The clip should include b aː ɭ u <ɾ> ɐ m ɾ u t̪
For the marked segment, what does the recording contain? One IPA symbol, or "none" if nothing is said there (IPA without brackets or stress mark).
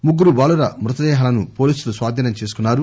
ɾ